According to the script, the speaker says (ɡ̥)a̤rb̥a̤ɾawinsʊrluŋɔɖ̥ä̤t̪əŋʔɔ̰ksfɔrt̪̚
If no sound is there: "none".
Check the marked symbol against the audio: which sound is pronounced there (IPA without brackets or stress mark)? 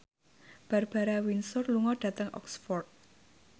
b̥